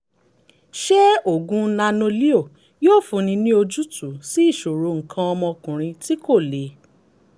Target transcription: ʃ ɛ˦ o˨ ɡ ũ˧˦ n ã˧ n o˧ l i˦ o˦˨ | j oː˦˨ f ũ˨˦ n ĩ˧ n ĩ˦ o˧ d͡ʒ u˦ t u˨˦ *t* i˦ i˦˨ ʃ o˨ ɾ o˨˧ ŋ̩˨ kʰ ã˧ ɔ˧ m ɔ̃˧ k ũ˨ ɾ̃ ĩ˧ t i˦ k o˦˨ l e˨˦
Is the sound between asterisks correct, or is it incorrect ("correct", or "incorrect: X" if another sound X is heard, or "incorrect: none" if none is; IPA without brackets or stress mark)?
incorrect: s